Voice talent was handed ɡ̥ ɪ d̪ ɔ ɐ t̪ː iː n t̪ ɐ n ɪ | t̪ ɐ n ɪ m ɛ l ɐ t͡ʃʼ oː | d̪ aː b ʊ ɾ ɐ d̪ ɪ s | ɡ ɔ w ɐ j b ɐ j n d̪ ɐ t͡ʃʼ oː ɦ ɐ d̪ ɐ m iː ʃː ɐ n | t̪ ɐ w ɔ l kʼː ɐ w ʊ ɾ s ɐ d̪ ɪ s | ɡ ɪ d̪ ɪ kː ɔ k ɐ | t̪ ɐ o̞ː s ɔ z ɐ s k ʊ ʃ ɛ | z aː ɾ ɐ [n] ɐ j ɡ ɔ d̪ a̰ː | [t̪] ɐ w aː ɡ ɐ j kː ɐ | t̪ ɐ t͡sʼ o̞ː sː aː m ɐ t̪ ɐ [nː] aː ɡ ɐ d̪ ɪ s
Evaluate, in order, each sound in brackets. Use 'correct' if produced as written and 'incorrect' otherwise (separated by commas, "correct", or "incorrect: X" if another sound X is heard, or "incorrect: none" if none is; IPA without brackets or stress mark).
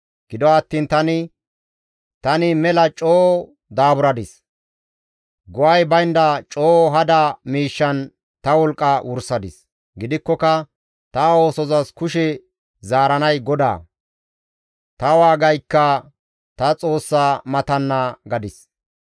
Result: correct, correct, correct